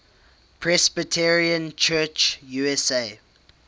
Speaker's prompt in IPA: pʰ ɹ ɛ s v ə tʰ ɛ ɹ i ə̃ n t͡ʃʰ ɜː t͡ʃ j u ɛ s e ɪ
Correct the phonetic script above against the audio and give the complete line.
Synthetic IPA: pʰ ɹ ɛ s b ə tʰ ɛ ɹ i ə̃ n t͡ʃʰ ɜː t͡ʃ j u ɛ s e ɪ